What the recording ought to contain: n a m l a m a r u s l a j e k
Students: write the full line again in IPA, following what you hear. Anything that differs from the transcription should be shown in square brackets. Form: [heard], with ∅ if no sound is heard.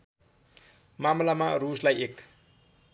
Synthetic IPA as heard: [m] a m l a m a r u s l a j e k